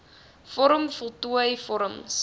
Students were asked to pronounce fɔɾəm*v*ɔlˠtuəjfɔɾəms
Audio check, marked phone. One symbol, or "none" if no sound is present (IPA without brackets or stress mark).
f